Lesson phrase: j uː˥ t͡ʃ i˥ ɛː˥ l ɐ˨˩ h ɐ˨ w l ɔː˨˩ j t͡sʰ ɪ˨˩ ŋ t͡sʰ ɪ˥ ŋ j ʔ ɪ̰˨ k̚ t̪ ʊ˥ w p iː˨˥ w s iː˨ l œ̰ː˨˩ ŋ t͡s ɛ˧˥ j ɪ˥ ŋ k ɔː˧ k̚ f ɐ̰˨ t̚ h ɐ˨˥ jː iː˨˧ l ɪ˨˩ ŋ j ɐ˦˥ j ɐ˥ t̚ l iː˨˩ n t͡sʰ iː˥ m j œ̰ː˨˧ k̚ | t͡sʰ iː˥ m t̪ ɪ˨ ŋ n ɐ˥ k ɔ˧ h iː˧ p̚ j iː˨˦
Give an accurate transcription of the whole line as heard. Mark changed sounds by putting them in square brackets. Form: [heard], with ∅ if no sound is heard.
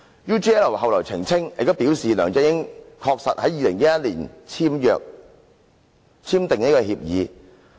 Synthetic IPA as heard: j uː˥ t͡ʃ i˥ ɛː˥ l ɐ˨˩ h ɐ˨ w l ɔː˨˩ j t͡sʰ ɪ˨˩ ŋ t͡sʰ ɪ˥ ŋ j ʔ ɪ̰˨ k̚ t̪ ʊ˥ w p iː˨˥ w s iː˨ l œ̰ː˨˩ ŋ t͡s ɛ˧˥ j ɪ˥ ŋ [kʰ] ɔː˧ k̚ [s] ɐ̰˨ t̚ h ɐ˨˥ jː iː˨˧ l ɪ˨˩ ŋ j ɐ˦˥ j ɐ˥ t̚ l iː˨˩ n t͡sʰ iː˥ m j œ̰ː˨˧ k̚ | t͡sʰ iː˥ m t̪ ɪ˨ ŋ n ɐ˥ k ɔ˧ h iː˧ p̚ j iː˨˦